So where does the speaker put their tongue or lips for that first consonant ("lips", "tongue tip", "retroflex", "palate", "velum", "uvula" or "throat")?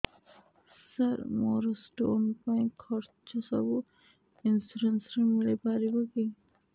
tongue tip